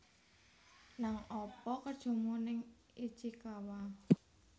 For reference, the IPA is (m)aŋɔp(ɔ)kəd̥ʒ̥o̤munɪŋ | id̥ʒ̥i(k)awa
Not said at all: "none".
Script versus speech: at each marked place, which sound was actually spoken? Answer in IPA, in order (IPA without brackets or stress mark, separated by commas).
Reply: n, ɔ, k